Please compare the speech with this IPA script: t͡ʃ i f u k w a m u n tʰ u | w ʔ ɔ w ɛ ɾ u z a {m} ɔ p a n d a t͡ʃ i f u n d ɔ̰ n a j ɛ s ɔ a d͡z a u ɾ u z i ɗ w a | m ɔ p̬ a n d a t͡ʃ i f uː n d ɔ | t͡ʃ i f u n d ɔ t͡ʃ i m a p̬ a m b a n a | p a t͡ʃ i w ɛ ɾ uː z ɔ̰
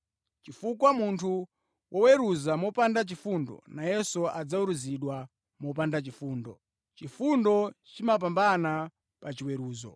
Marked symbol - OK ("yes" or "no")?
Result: yes